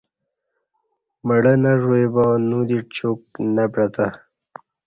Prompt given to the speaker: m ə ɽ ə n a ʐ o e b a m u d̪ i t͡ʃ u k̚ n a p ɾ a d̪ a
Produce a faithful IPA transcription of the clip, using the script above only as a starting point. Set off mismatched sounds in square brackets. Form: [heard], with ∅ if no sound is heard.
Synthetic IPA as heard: m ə ɽ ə n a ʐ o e b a [n] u d̪ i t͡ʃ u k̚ n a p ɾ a [t̪] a